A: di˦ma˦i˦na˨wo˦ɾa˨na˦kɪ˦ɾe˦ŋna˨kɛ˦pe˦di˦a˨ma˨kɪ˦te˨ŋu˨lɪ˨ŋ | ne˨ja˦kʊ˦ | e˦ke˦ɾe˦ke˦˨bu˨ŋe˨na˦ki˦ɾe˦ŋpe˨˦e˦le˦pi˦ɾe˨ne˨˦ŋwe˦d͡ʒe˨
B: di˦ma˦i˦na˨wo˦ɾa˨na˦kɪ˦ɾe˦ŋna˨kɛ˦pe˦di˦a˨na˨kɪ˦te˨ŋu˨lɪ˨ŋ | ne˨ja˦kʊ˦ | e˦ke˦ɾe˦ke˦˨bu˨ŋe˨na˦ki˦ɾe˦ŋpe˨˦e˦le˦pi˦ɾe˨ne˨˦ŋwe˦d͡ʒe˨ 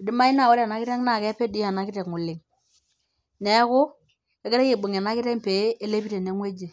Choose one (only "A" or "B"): B